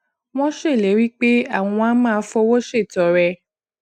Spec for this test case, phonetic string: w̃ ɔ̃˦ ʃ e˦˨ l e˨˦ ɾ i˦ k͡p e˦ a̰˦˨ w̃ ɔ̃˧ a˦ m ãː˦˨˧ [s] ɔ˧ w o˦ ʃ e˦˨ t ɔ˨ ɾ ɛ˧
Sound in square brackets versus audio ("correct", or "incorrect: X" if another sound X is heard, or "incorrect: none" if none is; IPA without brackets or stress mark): incorrect: f